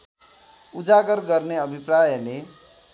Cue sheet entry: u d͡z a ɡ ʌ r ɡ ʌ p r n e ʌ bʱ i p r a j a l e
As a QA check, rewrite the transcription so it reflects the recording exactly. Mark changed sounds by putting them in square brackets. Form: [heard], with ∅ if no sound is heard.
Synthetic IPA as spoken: u d͡z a ɡ ʌ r ɡ ʌ [∅] r n e ʌ bʱ i p r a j [ʌ] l e